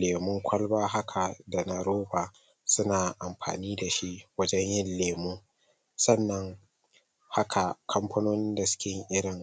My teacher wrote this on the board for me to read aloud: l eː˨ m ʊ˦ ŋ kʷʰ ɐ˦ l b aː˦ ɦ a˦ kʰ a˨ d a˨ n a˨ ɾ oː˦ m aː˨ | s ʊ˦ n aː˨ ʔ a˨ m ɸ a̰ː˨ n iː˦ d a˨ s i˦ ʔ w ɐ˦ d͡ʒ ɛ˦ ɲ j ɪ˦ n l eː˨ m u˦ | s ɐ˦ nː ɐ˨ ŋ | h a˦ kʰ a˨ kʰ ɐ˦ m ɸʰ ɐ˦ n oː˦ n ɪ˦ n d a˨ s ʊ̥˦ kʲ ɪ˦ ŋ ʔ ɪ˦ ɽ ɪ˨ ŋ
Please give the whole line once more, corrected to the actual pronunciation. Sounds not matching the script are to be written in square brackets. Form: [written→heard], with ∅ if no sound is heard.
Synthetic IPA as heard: l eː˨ m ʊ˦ ŋ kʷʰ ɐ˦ l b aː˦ ɦ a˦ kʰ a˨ d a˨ n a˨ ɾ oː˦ [m→b] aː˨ | s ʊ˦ n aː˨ ʔ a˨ m ɸ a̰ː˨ n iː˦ d a˨ [s→ʃ] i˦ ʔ w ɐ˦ d͡ʒ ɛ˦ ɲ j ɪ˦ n l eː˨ m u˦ | s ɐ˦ nː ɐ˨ ŋ | h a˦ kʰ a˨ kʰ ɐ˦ m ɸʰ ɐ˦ n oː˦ n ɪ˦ n d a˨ s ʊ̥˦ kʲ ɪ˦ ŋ ʔ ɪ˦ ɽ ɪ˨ ŋ